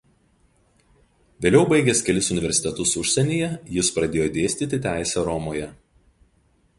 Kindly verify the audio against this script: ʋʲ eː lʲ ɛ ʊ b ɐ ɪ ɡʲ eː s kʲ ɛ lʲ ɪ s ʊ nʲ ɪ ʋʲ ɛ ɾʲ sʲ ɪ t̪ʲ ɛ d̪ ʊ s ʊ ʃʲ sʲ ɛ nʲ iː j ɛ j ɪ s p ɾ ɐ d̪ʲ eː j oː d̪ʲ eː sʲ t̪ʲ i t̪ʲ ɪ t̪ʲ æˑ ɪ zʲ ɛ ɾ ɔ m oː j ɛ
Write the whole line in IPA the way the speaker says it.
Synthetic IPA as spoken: ʋʲ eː lʲ ɛ ʊ b ɐ ɪ ɡʲ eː s kʲ ɛ lʲ ɪ s ʊ nʲ ɪ ʋʲ ɛ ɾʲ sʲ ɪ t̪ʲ ɛ t̪ ʊ s ʊ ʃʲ sʲ ɛ nʲ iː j ɛ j ɪ s p ɾ ɐ d̪ʲ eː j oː d̪ʲ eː sʲ t̪ʲ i t̪ʲ ɪ t̪ʲ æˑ ɪ sʲ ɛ ɾ ɔ m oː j ɛ